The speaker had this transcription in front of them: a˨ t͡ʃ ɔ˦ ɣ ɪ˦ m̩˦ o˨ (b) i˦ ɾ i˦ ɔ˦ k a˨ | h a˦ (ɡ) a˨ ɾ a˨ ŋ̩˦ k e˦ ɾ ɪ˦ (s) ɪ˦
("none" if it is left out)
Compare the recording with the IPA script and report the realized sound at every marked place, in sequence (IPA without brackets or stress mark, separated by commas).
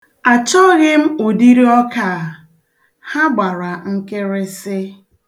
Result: d, ɡ͡b, s